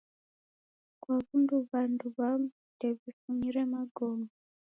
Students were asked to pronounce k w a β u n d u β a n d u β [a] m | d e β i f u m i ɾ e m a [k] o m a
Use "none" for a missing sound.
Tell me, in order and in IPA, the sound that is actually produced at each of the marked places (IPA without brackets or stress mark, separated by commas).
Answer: a, ɡ